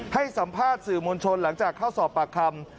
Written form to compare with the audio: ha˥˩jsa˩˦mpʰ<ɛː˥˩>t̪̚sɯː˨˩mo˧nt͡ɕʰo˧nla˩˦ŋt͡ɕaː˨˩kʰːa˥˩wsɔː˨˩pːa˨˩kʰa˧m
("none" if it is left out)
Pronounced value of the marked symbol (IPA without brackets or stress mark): aː˥˩